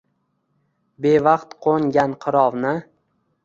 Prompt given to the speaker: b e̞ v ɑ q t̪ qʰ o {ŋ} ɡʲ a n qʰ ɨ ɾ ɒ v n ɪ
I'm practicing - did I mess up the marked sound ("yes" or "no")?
no